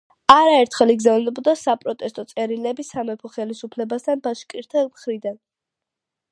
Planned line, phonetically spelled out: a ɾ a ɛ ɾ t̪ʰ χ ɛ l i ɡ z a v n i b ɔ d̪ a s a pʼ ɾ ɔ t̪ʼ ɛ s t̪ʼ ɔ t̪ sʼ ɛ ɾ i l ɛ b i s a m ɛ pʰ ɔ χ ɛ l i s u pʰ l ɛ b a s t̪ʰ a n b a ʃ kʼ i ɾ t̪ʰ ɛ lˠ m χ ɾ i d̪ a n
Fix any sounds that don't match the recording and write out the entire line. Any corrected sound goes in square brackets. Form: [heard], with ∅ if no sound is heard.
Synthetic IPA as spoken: a ɾ a ɛ ɾ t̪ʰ χ ɛ l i ɡ z a v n [ɛ] b ɔ d̪ a s a pʼ ɾ ɔ t̪ʼ ɛ s t̪ʼ ɔ t̪ sʼ ɛ ɾ i l ɛ b i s a m ɛ pʰ ɔ χ ɛ l i s u pʰ l ɛ b a s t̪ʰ a n b a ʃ kʼ i ɾ t̪ʰ ɛ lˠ m χ ɾ i d̪ a n